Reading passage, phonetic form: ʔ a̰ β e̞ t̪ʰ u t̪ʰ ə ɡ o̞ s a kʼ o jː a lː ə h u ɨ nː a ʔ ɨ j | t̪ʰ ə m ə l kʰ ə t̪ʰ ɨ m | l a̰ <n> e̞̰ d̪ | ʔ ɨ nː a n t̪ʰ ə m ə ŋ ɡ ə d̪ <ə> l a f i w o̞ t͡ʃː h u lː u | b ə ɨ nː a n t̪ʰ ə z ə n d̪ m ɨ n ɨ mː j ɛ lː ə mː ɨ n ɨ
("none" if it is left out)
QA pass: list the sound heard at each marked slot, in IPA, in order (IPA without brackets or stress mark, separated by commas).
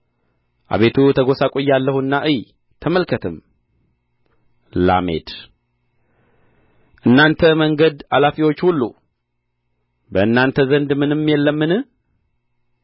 m, a